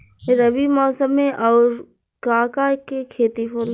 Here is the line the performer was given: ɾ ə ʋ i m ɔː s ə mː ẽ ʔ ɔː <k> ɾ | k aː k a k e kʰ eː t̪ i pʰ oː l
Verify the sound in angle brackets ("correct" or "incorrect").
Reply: incorrect